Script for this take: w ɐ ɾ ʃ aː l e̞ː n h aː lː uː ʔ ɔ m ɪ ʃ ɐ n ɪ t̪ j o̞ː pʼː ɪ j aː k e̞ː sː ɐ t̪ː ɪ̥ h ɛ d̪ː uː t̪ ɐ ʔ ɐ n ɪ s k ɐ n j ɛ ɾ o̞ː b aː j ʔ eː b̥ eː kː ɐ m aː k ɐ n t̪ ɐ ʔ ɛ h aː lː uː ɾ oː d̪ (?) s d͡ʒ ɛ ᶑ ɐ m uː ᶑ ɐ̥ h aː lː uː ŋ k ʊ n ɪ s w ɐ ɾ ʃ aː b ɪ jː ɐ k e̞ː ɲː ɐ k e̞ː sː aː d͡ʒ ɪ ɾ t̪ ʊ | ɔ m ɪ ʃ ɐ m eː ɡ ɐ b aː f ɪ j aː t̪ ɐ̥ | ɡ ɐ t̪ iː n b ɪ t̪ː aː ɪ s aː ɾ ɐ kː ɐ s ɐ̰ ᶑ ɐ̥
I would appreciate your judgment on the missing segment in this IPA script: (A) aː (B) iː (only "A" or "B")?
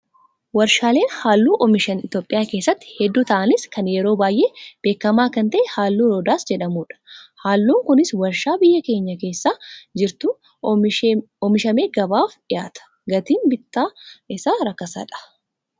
A